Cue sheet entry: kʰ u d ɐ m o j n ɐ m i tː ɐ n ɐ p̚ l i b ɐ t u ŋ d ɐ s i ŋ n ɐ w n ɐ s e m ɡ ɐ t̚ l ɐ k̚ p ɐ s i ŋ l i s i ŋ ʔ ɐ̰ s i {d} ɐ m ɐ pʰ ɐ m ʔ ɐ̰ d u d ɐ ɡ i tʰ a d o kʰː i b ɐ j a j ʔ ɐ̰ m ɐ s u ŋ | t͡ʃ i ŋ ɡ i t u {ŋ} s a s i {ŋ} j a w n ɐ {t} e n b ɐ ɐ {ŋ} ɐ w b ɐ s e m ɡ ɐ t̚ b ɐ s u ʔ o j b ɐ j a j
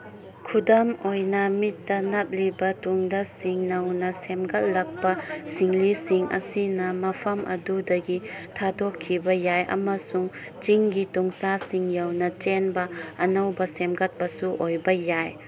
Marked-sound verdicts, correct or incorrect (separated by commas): incorrect, correct, correct, incorrect, incorrect